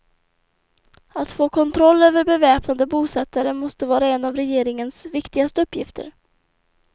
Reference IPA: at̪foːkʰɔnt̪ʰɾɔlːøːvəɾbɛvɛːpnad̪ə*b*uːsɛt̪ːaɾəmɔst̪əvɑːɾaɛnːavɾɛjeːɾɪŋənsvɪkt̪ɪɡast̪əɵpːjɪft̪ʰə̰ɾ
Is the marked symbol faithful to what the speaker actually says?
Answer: yes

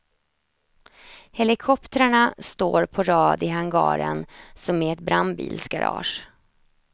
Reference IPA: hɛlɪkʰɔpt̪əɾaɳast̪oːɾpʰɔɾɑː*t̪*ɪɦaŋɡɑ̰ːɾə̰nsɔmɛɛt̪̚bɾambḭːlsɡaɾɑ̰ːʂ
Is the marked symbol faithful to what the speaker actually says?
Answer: no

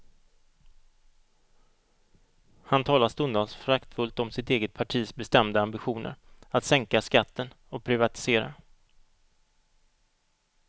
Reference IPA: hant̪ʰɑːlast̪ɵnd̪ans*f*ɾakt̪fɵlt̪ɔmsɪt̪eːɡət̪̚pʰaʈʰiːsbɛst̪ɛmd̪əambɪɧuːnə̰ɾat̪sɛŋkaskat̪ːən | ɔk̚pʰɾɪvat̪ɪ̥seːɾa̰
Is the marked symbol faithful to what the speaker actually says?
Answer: yes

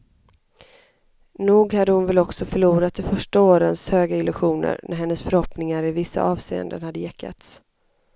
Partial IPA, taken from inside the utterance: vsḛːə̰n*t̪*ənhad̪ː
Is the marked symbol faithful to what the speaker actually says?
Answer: no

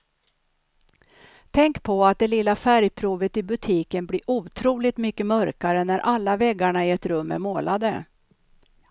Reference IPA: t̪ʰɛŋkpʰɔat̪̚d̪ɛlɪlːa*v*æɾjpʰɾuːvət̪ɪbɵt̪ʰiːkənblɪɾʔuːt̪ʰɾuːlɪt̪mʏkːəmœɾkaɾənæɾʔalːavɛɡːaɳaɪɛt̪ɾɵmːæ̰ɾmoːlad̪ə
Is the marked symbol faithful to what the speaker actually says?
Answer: no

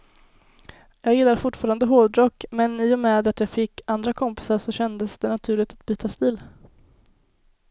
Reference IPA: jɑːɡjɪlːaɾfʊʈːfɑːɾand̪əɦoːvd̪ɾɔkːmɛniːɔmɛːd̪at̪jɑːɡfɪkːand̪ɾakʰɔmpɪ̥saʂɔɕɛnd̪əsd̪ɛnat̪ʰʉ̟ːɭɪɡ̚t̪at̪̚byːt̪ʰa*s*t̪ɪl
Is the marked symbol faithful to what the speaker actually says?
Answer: yes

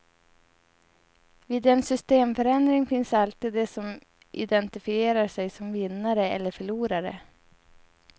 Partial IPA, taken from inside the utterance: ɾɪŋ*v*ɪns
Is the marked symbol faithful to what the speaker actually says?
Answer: no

